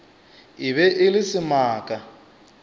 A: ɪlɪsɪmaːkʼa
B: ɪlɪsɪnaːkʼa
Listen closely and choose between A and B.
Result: A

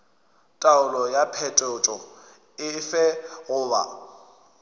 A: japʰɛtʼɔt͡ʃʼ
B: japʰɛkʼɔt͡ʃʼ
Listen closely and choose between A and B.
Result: A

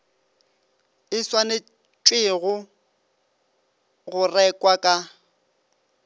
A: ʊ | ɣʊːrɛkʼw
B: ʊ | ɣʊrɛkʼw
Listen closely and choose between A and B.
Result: B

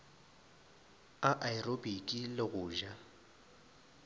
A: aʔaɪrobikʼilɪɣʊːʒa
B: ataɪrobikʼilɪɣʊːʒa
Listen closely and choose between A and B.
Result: A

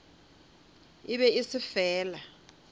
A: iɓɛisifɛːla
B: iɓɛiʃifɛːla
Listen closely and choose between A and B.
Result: A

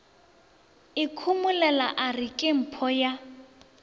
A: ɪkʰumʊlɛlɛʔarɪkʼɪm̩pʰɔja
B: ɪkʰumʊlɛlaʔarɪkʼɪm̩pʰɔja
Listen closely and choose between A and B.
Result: B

